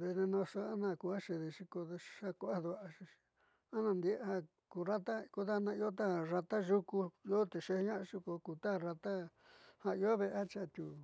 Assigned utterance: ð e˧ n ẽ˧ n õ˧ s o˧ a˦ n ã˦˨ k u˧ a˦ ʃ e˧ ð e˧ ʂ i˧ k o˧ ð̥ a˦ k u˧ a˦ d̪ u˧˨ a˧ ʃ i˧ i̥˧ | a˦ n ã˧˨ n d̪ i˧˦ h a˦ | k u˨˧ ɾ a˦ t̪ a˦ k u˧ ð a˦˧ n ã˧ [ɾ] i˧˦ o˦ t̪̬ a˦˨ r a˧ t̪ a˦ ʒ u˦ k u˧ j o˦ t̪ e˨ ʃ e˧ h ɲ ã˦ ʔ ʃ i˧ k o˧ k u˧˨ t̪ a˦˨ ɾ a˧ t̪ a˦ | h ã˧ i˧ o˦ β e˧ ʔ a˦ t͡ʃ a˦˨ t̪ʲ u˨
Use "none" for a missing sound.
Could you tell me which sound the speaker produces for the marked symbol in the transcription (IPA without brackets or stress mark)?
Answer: none